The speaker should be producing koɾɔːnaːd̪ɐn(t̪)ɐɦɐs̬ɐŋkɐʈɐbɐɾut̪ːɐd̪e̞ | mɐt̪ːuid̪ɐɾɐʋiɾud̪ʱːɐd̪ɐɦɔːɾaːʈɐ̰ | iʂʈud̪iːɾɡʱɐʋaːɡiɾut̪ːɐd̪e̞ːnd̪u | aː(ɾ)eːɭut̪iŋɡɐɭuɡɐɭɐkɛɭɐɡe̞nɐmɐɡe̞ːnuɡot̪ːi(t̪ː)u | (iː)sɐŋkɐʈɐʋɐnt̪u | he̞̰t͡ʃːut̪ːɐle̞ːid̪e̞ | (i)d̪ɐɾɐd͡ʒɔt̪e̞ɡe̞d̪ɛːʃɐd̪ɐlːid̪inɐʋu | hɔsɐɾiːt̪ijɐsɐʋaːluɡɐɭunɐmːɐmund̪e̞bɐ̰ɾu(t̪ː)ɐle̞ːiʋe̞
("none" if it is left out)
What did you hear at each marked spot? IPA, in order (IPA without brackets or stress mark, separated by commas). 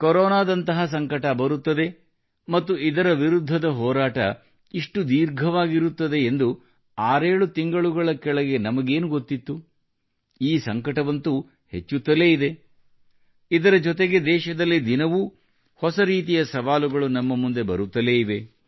t̪, ɾ, t̪ː, iː, i, t̪ː